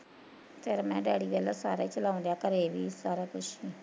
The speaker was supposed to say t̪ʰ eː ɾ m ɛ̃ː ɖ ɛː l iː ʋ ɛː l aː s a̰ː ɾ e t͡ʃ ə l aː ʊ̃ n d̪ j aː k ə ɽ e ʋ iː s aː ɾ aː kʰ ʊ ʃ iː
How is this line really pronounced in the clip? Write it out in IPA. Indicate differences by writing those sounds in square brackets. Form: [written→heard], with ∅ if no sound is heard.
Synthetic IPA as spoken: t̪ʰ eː ɾ m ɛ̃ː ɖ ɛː [l→ɽ] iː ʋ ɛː l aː s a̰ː ɾ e t͡ʃ ə l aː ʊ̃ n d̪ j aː k ə [ɽ→ɾ] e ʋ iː s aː ɾ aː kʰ ʊ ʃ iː